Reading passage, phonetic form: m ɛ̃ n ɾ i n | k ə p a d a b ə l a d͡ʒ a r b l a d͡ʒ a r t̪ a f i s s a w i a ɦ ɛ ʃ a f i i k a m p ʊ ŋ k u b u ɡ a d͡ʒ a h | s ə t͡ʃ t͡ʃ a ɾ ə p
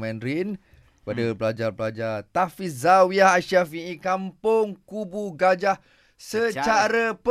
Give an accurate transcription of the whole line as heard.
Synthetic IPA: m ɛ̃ n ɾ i n | k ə p a d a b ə l a d͡ʒ a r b l a d͡ʒ a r t̪ a f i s z a w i a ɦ a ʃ a f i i k a m p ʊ ŋ k u b u ɡ a d͡ʒ a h | s ə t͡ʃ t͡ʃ a ɾ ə p